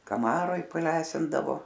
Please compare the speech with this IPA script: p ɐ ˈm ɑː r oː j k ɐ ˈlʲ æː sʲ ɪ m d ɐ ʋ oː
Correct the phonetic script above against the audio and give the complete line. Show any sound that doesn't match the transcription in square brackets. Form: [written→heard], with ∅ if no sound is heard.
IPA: [p→k] ɐ ˈm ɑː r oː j [k→p] ɐ ˈlʲ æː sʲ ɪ [m→n] d ɐ ʋ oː